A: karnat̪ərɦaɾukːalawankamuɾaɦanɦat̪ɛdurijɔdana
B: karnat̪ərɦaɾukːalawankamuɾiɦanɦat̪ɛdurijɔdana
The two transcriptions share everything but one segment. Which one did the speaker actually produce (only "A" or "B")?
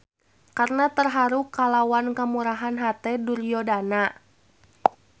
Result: A